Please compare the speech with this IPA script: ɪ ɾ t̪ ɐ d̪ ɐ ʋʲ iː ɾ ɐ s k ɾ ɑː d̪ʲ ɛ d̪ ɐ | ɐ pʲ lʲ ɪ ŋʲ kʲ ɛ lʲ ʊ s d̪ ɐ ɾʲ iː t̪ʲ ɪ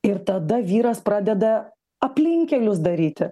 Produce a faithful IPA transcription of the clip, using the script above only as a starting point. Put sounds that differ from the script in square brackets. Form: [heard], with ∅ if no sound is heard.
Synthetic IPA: ɪ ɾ t̪ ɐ d̪ ɐ ʋʲ iː ɾ ɐ s [p] ɾ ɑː d̪ʲ ɛ d̪ ɐ | ɐ pʲ lʲ ɪ ŋʲ kʲ ɛ lʲ ʊ s d̪ ɐ ɾʲ iː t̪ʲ ɪ